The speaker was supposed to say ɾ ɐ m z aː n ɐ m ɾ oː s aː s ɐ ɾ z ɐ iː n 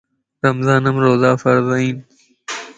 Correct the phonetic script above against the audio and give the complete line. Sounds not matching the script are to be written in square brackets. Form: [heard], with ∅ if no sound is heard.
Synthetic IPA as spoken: ɾ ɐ m z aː n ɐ m ɾ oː [z] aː [f] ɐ ɾ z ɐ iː n